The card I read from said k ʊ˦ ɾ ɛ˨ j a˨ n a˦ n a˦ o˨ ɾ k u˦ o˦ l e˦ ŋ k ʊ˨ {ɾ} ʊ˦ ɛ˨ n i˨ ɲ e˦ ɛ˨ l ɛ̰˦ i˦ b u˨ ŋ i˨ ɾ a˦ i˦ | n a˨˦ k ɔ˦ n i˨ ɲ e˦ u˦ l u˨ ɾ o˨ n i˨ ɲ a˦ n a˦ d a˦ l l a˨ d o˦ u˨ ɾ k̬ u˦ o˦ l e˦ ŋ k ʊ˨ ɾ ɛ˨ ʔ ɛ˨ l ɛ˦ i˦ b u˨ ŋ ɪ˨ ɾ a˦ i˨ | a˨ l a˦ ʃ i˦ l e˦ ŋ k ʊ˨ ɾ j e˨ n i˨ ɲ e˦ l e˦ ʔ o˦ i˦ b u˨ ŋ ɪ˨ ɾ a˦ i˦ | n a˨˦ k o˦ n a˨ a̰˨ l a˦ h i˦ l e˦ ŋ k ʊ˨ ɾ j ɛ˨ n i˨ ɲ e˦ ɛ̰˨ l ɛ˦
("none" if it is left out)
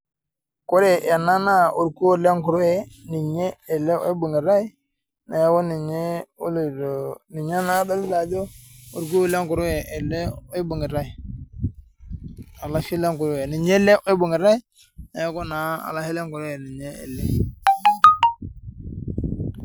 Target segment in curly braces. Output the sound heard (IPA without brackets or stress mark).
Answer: ɾ